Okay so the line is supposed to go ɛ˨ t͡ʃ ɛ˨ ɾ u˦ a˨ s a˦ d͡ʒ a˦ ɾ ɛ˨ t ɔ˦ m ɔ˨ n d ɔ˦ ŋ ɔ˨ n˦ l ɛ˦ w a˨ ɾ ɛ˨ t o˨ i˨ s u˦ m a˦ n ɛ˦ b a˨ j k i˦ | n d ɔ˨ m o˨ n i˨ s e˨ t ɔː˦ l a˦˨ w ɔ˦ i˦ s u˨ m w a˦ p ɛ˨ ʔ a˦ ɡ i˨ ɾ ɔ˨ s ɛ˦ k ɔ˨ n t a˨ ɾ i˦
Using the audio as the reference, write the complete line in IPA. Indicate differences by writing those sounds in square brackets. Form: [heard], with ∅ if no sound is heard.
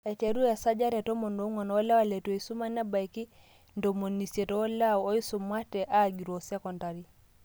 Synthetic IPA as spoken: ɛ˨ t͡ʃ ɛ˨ ɾ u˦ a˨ s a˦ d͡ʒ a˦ ɾ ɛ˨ t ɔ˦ m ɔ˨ n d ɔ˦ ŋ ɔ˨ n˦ l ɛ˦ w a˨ [l] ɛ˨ t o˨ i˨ s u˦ m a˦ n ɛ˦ b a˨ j k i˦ | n d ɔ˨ m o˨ n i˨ s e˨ t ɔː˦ l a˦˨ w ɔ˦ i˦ s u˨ m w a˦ [t] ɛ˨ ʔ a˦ ɡ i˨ ɾ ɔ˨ s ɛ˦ k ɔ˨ n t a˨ ɾ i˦